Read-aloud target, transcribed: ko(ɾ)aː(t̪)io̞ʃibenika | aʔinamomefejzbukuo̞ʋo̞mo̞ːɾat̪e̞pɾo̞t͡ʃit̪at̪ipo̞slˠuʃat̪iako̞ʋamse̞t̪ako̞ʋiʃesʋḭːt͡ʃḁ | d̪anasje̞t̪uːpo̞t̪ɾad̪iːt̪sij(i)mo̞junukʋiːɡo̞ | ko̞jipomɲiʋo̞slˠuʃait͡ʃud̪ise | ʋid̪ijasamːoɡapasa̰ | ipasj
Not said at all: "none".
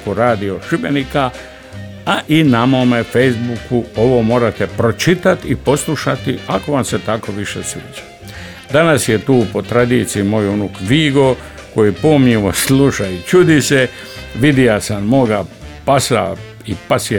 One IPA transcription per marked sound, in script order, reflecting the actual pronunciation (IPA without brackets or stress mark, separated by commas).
ɾ, d̪, i